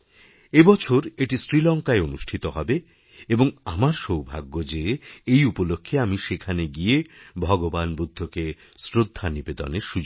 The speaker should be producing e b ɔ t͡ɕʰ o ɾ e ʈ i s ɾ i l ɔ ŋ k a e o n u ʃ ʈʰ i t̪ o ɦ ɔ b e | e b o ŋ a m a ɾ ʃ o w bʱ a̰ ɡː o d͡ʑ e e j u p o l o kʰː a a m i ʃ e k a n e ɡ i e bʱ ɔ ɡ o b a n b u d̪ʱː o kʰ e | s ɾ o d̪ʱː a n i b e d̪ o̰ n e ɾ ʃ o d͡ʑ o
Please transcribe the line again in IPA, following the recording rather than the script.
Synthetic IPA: e b ɔ t͡ɕʰ o ɾ e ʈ i s ɾ i l ɔ ŋ k a e o n u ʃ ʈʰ i t̪ o ɦ ɔ b e | e b o ŋ a m a ɾ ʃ o w bʱ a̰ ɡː o d͡ʑ e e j u p o l o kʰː e a m i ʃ e kʰ a n e ɡ i e bʱ ɔ ɡ o b a n b u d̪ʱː o k e | s ɾ o d̪ʱː a n i b e d̪ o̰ n e ɾ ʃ u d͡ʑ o